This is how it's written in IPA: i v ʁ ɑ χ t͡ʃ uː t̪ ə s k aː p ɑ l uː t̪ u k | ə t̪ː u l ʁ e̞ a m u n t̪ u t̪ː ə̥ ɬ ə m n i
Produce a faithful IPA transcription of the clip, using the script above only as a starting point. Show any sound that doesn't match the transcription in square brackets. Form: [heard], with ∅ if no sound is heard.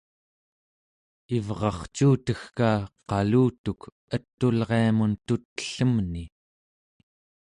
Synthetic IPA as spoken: i v ʁ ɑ χ t͡ʃ uː t̪ ə [x] k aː [q] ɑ l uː t̪ u k | ə t̪ː u l ʁ e̞ a m u n t̪ u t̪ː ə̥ ɬ ə m n i